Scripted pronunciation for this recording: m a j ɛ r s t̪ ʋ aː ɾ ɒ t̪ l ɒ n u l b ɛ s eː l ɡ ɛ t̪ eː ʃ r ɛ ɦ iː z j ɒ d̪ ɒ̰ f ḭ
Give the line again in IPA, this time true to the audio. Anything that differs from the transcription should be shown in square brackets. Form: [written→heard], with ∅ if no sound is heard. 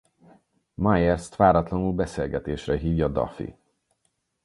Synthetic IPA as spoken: m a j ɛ r s t̪ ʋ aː ɾ ɒ t̪ l ɒ n u l b ɛ s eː l ɡ ɛ t̪ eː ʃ r ɛ ɦ iː [z→v] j ɒ d̪ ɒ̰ f ḭ